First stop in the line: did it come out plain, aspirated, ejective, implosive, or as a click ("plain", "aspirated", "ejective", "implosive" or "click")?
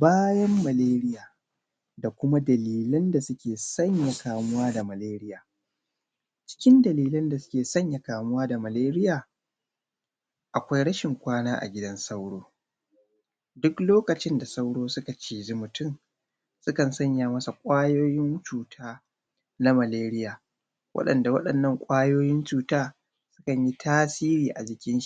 plain